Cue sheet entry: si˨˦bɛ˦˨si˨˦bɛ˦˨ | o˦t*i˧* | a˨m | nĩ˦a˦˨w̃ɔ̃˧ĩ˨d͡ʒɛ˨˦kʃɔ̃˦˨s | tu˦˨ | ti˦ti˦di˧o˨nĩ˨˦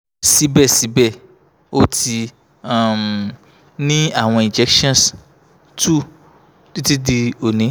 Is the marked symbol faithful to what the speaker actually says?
yes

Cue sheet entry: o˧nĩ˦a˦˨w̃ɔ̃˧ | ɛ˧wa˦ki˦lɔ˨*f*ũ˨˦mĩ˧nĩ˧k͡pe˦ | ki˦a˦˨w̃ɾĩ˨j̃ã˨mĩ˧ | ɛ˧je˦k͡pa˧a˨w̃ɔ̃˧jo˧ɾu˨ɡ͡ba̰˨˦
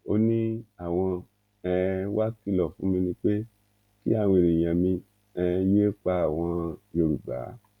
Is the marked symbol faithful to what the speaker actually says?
yes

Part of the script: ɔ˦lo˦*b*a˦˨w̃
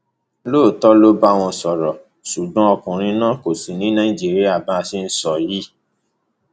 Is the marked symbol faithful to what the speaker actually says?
yes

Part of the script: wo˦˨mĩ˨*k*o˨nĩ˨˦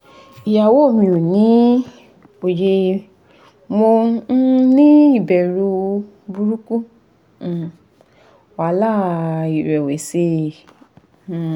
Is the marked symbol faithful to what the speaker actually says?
no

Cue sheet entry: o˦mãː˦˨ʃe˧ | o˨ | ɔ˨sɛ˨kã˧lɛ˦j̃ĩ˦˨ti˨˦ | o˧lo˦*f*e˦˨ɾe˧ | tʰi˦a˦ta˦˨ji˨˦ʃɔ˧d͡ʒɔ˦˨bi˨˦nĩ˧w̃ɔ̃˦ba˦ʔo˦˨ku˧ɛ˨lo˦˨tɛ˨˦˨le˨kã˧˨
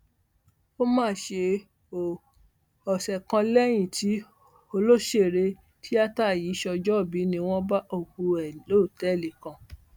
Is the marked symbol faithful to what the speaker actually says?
no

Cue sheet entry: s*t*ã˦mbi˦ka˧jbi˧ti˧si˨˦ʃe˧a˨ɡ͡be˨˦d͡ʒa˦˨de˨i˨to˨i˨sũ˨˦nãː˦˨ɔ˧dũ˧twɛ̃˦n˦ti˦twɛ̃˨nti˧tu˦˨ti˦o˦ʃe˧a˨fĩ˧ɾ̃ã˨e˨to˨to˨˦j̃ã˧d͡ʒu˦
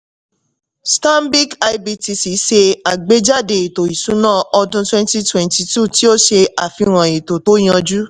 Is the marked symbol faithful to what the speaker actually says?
yes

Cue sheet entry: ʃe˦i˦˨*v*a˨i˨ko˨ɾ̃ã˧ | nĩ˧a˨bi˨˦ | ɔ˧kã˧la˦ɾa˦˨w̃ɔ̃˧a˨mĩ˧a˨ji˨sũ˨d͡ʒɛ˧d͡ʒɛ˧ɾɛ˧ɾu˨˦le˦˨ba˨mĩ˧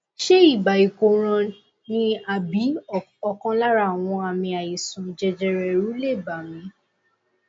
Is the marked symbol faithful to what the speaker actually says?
no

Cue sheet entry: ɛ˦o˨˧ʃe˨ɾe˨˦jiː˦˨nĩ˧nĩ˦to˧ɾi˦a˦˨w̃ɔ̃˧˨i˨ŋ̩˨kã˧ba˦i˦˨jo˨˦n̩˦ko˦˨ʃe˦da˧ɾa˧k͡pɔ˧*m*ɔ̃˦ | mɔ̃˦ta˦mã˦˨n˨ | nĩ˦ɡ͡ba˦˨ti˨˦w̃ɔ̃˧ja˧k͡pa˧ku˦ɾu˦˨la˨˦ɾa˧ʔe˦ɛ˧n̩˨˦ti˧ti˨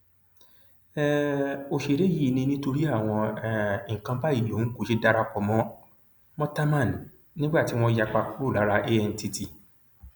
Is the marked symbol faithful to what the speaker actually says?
yes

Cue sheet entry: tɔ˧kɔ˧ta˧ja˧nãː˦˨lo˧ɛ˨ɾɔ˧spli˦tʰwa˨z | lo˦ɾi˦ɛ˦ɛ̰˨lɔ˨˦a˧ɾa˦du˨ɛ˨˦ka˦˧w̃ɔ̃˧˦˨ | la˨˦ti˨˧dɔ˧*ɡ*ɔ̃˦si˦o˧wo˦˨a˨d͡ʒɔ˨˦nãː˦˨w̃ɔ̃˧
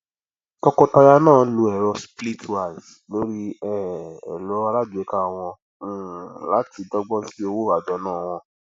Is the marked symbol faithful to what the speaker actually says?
no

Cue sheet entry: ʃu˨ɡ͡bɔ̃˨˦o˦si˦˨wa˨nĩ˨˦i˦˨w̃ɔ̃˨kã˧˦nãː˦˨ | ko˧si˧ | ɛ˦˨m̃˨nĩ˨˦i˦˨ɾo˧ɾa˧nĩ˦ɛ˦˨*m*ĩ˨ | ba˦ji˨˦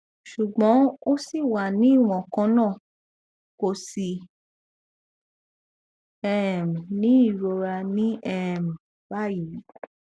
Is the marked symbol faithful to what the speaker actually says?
yes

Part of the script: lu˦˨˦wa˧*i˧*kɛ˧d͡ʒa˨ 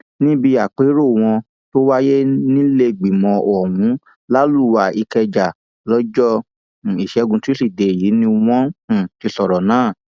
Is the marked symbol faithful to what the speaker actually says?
yes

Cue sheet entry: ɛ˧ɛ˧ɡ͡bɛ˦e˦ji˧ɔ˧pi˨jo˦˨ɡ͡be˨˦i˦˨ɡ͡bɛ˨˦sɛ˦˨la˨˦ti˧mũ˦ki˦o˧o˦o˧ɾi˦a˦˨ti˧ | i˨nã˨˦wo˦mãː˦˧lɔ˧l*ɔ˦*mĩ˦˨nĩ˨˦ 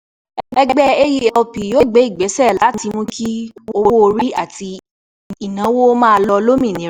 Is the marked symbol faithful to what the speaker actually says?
no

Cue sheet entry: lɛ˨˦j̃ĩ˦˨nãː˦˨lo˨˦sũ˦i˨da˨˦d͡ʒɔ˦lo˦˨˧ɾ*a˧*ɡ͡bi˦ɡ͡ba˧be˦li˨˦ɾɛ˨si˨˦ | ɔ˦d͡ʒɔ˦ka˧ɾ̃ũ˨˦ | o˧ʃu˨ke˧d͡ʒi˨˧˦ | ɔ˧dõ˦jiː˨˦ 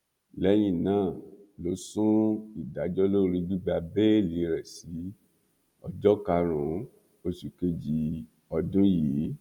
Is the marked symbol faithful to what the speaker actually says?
no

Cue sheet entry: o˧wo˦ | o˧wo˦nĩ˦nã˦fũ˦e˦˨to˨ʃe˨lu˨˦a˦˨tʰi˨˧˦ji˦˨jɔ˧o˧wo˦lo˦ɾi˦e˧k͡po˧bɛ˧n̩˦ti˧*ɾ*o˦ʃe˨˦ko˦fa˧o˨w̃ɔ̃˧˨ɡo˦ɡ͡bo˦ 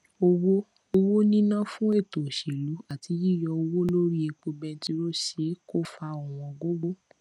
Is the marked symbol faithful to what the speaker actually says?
yes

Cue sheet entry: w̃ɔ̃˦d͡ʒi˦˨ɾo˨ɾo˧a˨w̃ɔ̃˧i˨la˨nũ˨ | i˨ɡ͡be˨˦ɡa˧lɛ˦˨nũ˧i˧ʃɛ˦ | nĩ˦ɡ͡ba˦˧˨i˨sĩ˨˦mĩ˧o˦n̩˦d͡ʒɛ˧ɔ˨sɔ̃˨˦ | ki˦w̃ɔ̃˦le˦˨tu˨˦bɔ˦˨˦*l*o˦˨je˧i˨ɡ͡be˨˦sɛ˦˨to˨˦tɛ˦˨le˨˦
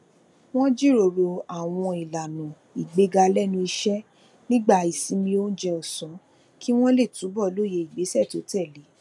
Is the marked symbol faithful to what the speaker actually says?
yes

